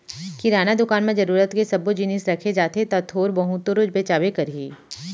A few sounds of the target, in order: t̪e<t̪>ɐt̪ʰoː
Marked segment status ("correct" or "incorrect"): correct